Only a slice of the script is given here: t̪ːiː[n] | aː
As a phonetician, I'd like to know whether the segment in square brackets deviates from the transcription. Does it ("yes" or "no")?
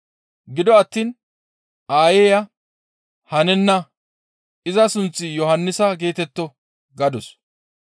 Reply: no